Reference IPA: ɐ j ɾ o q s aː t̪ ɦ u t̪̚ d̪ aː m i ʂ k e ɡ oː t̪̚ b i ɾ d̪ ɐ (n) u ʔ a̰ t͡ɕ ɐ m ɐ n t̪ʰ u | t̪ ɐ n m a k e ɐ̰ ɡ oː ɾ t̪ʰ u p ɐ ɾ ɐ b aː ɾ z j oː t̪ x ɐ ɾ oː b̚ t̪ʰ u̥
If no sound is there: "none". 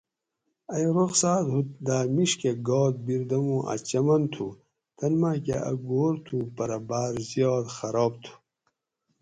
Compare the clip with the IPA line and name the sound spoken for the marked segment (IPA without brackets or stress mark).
m